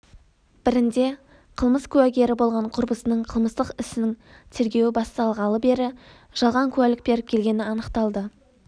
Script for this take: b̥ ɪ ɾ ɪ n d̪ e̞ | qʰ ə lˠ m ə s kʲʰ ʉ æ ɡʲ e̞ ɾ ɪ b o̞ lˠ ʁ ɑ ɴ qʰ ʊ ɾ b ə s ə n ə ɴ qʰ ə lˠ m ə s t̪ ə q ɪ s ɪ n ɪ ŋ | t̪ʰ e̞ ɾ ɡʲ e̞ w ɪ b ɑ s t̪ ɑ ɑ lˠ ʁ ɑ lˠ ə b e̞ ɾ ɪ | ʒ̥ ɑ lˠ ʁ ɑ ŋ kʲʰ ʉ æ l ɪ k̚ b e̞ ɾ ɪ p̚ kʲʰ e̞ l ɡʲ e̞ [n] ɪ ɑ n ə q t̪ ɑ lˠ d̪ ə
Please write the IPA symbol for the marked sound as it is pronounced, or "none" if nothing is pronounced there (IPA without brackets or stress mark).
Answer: n